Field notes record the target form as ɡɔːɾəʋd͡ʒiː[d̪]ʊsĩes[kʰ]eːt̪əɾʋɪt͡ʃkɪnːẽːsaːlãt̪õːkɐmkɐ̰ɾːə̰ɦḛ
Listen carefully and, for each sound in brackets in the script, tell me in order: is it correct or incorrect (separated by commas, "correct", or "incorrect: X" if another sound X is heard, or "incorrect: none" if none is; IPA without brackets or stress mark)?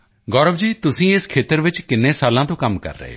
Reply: incorrect: t̪, correct